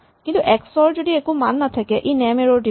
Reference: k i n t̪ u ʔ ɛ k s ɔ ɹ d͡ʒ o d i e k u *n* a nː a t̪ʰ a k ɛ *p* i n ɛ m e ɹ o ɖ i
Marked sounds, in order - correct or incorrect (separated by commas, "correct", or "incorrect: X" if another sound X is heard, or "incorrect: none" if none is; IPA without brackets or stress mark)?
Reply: incorrect: m, incorrect: ʔ